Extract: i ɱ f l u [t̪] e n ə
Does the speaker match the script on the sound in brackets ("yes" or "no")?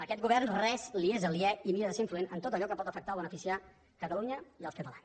no